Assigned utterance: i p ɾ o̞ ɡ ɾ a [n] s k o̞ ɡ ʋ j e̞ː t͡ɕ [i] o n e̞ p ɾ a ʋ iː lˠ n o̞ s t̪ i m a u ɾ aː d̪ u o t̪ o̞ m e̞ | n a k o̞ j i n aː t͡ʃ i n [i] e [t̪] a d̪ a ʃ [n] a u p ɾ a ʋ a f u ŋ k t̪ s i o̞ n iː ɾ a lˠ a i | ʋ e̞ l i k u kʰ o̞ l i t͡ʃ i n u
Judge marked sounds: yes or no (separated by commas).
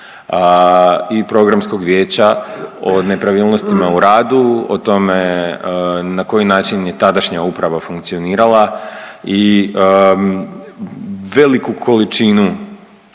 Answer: no, no, no, yes, no